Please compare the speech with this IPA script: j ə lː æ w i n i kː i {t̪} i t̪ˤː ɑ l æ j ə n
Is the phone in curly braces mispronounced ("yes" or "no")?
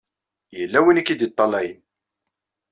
yes